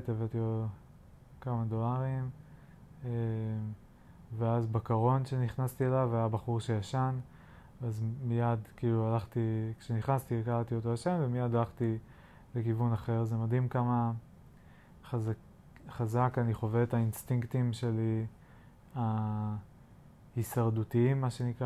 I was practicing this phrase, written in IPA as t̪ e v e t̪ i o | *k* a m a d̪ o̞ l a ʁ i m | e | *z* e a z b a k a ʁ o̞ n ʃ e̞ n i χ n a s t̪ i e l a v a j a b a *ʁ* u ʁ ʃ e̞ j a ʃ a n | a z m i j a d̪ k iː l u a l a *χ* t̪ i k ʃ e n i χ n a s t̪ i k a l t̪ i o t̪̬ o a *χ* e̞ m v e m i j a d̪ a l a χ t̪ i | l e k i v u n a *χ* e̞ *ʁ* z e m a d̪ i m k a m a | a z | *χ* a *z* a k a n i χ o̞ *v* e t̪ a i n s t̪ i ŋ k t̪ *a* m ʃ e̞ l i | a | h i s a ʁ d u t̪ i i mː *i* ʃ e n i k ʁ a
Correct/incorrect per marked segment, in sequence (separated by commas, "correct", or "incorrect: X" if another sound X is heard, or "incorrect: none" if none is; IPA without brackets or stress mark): correct, incorrect: v, incorrect: χ, correct, incorrect: ʃ, correct, correct, correct, correct, correct, incorrect: i, incorrect: a